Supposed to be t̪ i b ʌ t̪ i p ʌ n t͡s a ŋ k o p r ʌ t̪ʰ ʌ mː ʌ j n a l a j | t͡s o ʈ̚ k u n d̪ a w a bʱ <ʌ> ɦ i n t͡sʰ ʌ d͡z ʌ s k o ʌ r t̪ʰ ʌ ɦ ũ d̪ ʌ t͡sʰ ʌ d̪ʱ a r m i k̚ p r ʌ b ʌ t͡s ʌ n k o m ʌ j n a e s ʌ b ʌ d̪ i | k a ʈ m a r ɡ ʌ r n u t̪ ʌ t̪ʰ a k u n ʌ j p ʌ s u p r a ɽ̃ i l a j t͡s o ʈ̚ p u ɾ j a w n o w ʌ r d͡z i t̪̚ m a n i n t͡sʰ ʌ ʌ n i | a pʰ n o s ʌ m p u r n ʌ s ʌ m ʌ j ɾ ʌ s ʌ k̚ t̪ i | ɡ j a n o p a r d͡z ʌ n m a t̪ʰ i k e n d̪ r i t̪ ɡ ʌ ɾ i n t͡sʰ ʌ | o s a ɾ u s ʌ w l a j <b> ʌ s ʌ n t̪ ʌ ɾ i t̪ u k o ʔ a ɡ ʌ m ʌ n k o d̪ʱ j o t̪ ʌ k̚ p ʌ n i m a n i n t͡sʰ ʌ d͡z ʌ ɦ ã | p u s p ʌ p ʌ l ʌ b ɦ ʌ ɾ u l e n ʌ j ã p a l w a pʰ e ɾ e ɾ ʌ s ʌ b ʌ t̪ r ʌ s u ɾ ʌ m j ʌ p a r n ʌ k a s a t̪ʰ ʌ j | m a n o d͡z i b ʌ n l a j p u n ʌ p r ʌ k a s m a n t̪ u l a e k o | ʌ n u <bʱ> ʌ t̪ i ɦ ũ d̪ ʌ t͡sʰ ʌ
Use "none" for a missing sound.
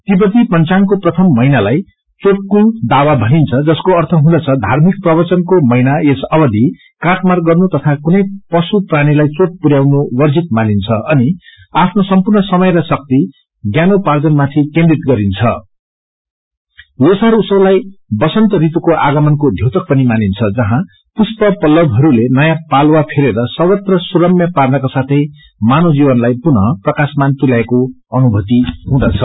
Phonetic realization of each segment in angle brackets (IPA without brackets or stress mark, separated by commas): ʌ, b, bʱ